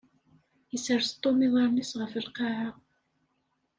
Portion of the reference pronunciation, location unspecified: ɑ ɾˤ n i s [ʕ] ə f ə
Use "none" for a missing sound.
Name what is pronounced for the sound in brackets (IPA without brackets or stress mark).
ʁ